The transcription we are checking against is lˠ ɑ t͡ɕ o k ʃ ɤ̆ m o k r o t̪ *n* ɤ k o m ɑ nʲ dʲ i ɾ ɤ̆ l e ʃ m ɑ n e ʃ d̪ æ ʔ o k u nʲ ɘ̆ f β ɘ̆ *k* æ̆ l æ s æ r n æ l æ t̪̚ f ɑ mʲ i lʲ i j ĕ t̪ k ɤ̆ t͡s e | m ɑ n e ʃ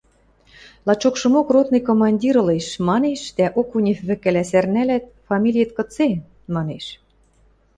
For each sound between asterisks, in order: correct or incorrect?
correct, correct

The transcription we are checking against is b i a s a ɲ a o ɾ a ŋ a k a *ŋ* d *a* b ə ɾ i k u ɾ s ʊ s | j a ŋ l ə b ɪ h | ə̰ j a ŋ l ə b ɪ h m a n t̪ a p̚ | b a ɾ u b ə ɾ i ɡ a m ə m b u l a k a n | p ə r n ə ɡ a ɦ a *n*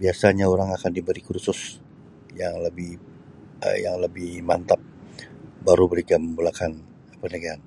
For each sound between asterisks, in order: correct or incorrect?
incorrect: n, incorrect: i, correct

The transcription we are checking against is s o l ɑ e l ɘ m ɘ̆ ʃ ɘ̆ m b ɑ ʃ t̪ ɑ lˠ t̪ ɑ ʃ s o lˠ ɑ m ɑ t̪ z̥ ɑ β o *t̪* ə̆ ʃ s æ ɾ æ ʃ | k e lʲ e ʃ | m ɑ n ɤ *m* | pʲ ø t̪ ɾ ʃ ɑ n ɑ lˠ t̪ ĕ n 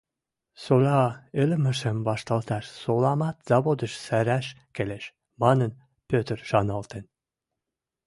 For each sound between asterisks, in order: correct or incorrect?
incorrect: d̪, incorrect: n

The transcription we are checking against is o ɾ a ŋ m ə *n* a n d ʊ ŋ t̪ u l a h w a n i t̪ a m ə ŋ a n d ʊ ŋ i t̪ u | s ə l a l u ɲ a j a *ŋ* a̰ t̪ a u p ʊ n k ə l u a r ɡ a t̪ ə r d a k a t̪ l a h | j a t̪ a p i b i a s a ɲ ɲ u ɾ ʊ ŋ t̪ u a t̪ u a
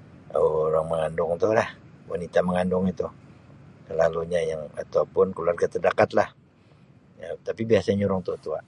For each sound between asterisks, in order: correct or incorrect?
incorrect: ŋ, correct

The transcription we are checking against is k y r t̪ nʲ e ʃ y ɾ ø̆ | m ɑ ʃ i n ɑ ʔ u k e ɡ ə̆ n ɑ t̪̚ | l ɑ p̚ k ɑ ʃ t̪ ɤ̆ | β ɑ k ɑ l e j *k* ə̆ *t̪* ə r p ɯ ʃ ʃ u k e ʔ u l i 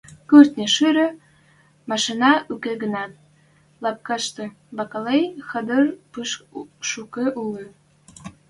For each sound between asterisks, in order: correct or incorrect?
incorrect: x, incorrect: d̪

